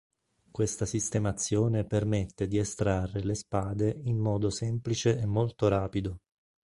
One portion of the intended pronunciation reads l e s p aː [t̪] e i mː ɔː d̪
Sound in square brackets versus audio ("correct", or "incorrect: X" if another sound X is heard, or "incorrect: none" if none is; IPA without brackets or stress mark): incorrect: d̪